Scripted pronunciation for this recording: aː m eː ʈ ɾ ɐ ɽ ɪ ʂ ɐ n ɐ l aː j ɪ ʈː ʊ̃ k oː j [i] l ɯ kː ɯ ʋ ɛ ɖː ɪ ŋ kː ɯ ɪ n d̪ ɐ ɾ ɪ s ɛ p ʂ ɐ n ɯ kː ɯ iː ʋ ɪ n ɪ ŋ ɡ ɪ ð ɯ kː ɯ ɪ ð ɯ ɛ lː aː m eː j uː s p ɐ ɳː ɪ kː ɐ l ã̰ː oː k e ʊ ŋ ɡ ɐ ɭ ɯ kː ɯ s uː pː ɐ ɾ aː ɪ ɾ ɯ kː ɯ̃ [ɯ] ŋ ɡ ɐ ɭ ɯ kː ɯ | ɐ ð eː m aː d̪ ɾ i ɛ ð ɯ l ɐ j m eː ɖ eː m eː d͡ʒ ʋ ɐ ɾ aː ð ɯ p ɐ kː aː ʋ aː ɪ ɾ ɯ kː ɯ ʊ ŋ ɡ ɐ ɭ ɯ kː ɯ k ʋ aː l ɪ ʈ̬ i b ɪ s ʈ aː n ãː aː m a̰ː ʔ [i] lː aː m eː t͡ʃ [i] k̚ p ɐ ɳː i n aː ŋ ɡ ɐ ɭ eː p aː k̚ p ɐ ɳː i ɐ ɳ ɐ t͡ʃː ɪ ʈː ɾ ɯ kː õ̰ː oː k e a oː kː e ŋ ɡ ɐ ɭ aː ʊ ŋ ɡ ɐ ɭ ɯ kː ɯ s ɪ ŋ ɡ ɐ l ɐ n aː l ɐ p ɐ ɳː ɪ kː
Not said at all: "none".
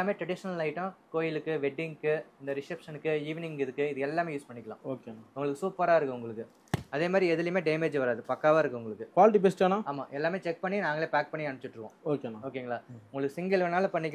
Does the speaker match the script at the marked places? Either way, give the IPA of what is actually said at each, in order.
ɪ, ʊ, ɛ, ɛ

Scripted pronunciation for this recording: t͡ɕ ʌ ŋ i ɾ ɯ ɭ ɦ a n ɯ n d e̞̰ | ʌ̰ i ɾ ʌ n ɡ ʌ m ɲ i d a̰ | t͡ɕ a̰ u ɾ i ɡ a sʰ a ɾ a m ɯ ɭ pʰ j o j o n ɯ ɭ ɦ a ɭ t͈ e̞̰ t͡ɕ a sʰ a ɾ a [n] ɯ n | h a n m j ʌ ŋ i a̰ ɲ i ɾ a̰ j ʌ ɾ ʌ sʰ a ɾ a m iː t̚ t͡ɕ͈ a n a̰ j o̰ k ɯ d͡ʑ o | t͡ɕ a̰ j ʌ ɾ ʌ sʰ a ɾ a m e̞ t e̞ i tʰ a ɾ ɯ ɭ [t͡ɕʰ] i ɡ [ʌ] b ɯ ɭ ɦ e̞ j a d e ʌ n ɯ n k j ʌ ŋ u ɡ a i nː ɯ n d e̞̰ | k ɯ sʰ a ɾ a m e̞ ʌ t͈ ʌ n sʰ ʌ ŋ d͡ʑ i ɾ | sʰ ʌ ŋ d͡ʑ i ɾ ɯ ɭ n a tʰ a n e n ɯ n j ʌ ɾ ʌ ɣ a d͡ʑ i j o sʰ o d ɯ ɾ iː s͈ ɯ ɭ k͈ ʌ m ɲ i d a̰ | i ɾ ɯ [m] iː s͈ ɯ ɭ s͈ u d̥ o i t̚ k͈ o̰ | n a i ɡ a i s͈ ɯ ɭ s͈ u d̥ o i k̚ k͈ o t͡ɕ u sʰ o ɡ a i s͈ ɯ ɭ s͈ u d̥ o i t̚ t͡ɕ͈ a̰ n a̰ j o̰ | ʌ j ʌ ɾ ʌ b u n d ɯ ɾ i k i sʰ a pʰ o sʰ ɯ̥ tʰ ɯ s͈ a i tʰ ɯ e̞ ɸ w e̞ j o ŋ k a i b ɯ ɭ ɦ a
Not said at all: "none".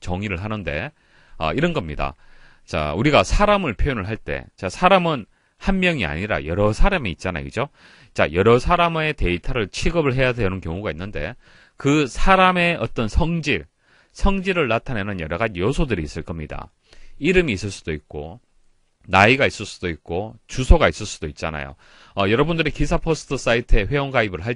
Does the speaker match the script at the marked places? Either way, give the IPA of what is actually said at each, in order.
m, t͡ɕʰ, ʌ, m

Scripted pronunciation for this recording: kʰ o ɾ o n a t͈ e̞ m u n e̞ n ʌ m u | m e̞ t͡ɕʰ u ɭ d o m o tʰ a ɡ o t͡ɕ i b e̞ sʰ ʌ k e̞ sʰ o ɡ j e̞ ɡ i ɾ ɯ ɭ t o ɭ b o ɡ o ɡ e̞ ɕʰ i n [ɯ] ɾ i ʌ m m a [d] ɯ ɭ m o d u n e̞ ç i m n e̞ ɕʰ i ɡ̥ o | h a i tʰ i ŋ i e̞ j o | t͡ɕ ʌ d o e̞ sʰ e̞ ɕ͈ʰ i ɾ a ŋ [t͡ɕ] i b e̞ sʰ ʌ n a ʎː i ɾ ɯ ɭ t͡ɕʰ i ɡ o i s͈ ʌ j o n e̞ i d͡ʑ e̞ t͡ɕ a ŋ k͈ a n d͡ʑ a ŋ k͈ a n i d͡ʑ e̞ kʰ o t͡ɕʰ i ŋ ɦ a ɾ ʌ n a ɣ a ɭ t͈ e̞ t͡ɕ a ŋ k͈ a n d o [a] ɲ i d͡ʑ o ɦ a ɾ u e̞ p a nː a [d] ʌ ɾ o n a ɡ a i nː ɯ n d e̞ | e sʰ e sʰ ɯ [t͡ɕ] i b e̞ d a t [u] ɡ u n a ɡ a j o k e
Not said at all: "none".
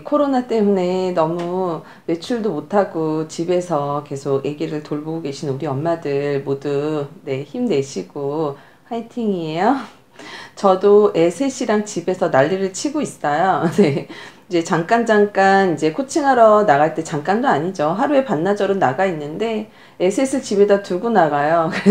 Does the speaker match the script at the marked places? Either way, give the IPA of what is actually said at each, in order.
u, d, t͡ɕ, a, d͡ʑ, t͡ɕ, u

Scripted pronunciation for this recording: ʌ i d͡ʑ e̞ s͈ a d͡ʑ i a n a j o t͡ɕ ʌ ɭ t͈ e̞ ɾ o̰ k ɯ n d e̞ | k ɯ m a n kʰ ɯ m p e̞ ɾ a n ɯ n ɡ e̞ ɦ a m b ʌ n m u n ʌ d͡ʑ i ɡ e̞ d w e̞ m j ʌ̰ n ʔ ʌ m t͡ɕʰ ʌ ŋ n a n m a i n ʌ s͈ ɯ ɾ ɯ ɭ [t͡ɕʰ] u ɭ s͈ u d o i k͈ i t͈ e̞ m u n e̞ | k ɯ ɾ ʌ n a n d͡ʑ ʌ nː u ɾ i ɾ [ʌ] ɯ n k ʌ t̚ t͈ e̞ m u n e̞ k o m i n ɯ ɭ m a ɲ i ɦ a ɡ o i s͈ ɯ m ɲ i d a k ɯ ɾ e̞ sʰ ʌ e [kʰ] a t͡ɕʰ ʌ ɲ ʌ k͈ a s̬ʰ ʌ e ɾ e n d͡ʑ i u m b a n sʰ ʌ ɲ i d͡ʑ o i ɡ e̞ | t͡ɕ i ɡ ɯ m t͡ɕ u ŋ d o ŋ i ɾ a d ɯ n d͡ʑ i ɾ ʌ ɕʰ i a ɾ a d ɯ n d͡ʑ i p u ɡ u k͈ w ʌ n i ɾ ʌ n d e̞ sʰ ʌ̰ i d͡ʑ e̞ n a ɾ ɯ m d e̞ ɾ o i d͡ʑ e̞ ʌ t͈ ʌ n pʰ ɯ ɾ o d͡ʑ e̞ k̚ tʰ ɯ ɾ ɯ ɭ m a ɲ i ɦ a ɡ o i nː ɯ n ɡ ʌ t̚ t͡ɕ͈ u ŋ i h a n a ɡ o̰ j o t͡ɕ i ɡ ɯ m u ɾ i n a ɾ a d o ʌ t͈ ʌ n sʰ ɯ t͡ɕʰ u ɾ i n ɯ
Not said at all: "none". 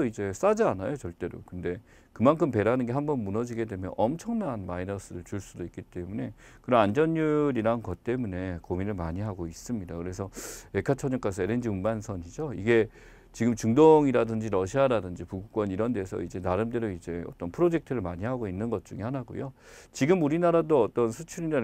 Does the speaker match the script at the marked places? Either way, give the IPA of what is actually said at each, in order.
t͡ɕ, a, kʰ

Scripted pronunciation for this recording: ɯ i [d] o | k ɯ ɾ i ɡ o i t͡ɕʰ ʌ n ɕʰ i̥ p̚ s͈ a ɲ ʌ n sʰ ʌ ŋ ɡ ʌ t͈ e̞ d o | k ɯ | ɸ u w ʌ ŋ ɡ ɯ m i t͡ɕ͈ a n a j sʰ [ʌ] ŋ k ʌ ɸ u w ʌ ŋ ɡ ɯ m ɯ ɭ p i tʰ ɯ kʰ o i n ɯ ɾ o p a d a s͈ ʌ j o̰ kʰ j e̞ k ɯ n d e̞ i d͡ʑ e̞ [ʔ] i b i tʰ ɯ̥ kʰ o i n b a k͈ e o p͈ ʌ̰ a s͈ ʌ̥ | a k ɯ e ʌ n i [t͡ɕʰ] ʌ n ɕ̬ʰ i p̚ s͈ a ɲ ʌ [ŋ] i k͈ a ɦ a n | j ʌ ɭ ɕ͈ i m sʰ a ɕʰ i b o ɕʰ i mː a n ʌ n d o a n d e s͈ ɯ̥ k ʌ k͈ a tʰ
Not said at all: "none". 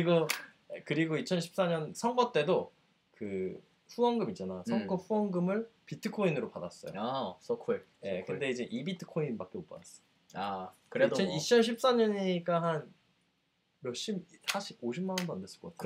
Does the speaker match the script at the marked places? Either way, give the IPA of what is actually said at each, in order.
ɡ, ʌ, ʔ, t͡ɕʰ, ɲ

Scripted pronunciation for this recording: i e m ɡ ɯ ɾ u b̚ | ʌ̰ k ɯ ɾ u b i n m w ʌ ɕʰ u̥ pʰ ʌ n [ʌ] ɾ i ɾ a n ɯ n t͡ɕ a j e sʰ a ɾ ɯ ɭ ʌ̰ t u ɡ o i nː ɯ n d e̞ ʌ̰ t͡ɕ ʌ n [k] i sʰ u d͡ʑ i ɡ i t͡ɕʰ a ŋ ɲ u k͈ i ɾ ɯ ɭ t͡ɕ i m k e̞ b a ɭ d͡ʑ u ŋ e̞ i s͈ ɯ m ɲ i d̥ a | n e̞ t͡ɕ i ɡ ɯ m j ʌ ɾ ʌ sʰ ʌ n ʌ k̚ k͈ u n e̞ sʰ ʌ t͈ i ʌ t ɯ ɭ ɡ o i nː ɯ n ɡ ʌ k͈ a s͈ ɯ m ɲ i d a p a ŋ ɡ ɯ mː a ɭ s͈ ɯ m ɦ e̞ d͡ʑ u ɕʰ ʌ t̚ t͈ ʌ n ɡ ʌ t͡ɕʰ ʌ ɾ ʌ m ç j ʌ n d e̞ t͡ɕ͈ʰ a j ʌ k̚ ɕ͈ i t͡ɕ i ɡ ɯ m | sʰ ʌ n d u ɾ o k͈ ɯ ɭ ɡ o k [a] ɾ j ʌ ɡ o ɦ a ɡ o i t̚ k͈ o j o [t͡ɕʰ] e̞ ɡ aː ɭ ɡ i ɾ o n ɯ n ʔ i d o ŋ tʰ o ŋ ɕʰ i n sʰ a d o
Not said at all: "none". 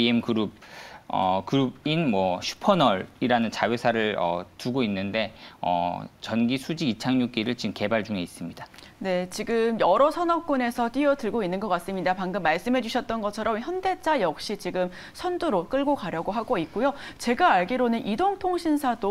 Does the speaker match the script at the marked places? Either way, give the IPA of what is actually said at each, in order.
ʌ, ɡ, a, t͡ɕ

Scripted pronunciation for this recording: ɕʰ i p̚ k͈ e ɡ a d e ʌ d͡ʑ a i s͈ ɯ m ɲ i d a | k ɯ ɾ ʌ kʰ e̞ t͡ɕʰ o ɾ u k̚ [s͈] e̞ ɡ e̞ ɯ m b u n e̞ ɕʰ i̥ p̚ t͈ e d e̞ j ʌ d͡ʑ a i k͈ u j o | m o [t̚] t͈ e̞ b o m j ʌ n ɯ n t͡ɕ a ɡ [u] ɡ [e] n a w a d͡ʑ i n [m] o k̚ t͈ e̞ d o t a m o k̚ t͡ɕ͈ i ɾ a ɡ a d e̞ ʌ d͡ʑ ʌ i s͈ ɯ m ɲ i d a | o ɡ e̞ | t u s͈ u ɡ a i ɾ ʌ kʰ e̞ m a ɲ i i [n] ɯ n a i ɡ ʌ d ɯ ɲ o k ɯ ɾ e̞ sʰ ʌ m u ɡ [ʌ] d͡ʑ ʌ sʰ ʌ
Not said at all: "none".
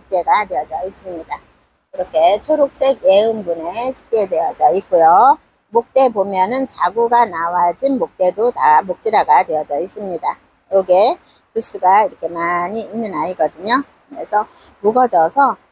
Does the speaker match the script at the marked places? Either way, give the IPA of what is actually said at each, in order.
s͈, k̚, u, a, m, nː, ʌ

